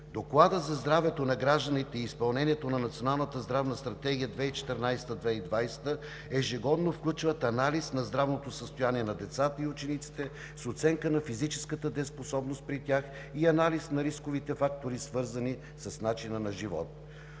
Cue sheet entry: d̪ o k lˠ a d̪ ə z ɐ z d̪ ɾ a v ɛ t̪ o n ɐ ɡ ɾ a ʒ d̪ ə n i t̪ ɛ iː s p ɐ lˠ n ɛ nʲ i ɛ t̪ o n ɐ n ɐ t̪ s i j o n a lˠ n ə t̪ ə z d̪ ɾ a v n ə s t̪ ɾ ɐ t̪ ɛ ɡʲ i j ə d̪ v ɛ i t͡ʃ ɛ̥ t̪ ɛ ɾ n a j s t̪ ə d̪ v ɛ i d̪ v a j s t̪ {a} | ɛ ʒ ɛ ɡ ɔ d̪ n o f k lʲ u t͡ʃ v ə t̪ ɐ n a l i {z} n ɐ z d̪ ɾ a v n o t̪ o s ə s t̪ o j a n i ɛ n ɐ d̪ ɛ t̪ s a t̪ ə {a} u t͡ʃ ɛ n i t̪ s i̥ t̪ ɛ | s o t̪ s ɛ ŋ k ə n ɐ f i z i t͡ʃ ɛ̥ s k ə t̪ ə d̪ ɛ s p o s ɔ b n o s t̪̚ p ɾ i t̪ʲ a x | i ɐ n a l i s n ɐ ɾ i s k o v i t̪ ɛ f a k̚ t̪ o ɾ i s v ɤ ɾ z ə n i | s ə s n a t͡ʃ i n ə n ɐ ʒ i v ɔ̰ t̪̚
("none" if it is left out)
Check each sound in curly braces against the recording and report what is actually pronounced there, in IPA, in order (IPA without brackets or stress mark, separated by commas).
ə, s, i